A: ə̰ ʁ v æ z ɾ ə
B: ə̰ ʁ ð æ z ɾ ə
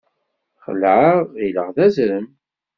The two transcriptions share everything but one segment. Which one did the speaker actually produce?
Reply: B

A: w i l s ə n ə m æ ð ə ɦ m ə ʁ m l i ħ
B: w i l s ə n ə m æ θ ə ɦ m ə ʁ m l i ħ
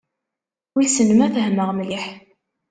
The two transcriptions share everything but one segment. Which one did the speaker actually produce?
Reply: B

